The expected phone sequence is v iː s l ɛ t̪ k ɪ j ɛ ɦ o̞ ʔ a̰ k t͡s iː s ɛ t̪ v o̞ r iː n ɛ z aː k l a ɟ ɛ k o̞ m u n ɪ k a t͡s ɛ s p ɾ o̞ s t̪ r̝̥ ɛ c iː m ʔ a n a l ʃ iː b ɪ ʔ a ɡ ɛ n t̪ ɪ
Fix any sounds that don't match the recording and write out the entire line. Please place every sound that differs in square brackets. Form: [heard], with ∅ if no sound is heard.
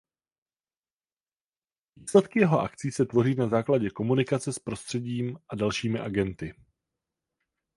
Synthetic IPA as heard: v iː s l ɛ t̪ k ɪ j ɛ ɦ o̞ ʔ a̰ k t͡s iː s ɛ t̪ v o̞ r iː n [a] z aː k l a ɟ ɛ k o̞ m u n ɪ k a t͡s ɛ s p ɾ o̞ s t̪ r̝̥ ɛ [ɟ] iː m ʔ a [d] a l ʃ iː [m] ɪ ʔ a ɡ ɛ n t̪ ɪ